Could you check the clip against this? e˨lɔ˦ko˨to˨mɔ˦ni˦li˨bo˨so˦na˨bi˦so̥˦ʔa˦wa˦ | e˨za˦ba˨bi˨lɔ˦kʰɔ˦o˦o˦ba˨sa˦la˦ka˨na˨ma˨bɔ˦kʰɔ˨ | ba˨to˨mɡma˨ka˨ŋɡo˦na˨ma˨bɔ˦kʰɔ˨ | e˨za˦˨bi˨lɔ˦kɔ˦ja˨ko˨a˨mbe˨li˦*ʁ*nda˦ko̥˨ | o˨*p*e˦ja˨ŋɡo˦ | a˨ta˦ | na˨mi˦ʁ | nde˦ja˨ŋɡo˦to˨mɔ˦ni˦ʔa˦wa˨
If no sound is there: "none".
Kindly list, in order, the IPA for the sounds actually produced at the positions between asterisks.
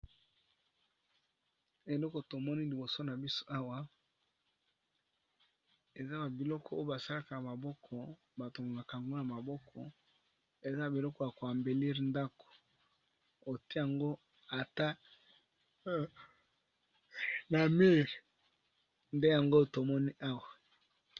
ʁ, t

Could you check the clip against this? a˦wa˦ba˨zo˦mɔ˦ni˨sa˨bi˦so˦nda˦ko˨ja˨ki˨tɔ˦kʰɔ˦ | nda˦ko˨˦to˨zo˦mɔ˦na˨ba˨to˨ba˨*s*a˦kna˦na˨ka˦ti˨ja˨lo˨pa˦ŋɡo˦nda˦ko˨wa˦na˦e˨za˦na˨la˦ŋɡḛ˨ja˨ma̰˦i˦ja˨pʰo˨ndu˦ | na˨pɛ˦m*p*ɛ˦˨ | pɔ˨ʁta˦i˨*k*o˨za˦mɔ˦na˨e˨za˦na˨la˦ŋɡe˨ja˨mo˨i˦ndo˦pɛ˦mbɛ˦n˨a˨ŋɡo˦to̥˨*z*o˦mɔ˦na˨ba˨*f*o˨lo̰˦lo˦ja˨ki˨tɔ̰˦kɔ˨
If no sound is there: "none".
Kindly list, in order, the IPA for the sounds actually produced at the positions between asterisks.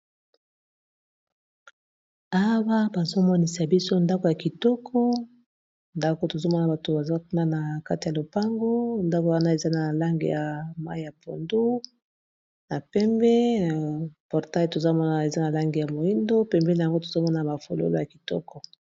z, b, t, z, f

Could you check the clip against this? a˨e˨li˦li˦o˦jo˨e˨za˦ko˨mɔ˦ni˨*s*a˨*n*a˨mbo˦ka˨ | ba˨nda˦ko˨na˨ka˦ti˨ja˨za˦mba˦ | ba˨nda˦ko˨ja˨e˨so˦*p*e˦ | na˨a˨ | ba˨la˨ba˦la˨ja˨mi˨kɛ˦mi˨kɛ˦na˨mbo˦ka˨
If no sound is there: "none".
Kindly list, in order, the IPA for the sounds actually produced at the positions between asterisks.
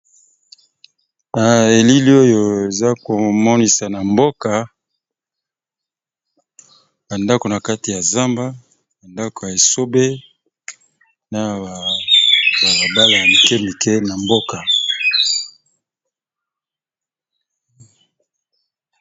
s, n, b

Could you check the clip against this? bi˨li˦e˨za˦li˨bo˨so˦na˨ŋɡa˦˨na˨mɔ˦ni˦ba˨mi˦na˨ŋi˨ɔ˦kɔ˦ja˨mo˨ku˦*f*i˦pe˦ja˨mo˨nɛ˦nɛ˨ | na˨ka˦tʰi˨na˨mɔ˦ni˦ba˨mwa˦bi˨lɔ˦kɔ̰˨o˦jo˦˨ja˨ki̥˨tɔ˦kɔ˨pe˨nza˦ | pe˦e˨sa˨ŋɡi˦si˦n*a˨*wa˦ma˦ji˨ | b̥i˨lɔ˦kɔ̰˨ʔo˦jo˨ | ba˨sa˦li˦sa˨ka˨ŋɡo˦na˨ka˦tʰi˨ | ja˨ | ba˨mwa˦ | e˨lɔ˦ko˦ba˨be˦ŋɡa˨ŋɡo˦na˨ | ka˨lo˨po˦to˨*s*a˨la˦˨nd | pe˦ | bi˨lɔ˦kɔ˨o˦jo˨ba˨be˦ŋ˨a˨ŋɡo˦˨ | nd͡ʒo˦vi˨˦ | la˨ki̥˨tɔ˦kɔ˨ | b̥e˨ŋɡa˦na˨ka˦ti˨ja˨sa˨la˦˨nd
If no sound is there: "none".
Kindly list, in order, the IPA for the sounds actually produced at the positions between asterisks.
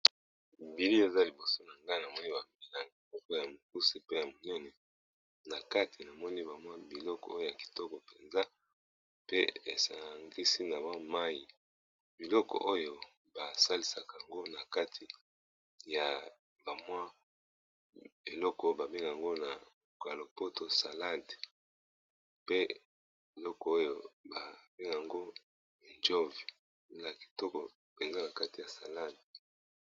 s, a˨, s

